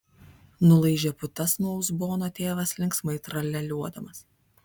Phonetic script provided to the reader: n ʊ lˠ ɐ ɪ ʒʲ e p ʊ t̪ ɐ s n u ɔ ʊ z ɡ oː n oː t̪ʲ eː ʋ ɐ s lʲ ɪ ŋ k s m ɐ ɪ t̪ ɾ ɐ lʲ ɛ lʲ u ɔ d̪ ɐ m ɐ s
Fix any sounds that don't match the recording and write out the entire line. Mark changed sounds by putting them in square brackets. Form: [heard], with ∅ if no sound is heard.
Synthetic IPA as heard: n ʊ lˠ ɐ ɪ ʒʲ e p ʊ t̪ ɐ s n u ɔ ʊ z [b] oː n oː t̪ʲ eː ʋ ɐ s lʲ ɪ ŋ k s m ɐ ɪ t̪ ɾ ɐ lʲ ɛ lʲ u ɔ d̪ ɐ m ɐ s

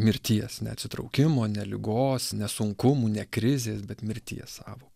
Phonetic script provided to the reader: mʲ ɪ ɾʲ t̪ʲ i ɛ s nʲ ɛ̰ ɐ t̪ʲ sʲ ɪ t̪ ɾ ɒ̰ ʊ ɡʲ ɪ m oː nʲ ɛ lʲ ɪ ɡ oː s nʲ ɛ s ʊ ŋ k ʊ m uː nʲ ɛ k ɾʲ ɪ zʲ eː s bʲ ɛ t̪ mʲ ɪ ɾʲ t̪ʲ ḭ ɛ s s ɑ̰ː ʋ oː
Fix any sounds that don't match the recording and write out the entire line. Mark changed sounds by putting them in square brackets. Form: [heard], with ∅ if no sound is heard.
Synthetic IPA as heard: mʲ ɪ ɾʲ t̪ʲ i ɛ s nʲ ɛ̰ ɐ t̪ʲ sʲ ɪ t̪ ɾ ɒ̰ ʊ [kʲ] ɪ m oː nʲ ɛ lʲ ɪ ɡ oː s nʲ ɛ s ʊ ŋ k ʊ m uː nʲ ɛ k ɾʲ ɪ zʲ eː s bʲ ɛ t̪ mʲ ɪ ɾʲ t̪ʲ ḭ ɛ s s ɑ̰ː ʋ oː

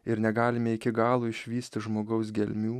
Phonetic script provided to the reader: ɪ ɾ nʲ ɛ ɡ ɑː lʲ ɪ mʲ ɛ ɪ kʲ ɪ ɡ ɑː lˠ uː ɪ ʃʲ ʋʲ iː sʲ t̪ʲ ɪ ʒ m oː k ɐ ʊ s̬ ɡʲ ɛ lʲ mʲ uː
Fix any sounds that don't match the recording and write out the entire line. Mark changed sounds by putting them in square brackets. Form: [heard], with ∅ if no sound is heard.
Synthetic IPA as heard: ɪ ɾ nʲ ɛ ɡ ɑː lʲ ɪ mʲ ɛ ɪ kʲ ɪ ɡ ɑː lˠ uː ɪ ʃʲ ʋʲ iː sʲ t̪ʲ ɪ ʒ m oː [ɡ] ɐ ʊ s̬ ɡʲ ɛ lʲ mʲ uː

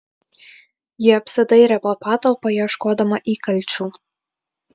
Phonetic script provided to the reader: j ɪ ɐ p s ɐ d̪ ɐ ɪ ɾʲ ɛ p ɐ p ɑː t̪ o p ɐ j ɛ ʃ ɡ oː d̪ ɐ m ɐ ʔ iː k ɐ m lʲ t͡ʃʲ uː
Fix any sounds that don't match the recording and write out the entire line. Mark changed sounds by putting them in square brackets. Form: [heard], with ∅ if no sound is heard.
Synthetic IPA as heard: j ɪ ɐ p s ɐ d̪ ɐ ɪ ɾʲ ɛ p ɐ p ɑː t̪ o p ɐ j ɛ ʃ [k] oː d̪ ɐ m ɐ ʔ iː k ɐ [∅] lʲ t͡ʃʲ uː

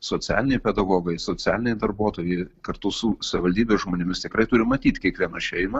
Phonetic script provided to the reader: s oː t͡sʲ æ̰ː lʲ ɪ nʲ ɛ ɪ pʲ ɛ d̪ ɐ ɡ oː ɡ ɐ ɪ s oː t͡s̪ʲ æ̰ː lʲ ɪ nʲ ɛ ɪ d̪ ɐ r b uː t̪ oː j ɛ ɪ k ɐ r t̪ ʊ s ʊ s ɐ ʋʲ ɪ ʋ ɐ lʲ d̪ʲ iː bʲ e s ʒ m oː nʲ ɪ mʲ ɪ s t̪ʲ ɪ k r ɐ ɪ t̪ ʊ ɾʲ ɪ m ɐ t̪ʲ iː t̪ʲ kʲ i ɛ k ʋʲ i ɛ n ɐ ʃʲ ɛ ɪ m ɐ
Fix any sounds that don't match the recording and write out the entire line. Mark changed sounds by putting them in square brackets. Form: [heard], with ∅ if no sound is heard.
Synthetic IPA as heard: s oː t͡sʲ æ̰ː lʲ ɪ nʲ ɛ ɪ pʲ ɛ d̪ ɐ ɡ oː ɡ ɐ ɪ s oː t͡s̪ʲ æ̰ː lʲ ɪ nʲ ɛ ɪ d̪ ɐ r b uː t̪ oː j ɛ ɪ k ɐ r t̪ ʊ s ʊ s ɐ ʋʲ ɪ ʋ ɐ lʲ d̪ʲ iː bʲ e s ʒ m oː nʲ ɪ mʲ ɪ s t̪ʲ ɪ k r ɐ ɪ t̪ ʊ ɾʲ ɪ m ɐ t̪ʲ iː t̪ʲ kʲ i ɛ k ʋʲ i ɛ n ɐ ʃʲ ɛ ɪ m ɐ

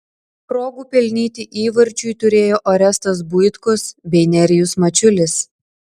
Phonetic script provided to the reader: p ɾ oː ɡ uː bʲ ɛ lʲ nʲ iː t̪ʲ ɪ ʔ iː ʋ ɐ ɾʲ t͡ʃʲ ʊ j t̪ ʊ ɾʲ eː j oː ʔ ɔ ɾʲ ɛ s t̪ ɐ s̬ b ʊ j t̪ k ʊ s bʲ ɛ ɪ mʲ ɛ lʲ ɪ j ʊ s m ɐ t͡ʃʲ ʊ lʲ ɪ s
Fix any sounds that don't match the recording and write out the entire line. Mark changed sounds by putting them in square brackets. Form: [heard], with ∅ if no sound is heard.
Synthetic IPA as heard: p ɾ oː ɡ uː [pʲ] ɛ lʲ nʲ iː t̪ʲ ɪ ʔ iː ʋ ɐ ɾʲ t͡ʃʲ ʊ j t̪ ʊ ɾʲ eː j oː ʔ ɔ ɾʲ ɛ s t̪ ɐ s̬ b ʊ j t̪ k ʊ s bʲ ɛ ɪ [nʲ] ɛ [ɾʲ] ɪ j ʊ s m ɐ t͡ʃʲ ʊ lʲ ɪ s

